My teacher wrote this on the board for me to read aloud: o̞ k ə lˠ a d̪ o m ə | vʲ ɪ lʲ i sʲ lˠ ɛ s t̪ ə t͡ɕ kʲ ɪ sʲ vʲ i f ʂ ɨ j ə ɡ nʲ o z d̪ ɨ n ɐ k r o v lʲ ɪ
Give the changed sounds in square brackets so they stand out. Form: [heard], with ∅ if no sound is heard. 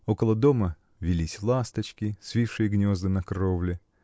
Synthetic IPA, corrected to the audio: o̞ k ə lˠ [ə] d̪ o m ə | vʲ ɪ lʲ i sʲ lˠ [a] s t̪ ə t͡ɕ kʲ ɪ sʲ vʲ i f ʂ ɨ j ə ɡ nʲ o z d̪ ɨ n ɐ k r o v lʲ ɪ